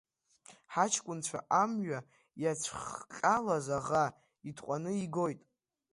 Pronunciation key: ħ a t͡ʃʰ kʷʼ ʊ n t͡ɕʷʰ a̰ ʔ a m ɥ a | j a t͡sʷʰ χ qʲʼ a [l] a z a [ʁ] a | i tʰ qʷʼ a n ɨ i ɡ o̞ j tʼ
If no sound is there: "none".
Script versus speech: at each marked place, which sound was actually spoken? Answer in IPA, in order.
l, ʁ

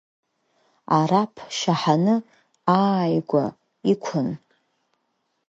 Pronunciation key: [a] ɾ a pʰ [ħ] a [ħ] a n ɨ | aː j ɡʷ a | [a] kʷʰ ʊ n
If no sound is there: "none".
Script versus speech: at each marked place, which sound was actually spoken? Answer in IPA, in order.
a, ʃ, ħ, i

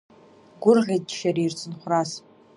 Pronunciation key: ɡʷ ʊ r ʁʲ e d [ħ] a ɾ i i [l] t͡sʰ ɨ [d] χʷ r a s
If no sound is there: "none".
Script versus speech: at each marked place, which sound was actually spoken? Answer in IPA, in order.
ʃ, r, n

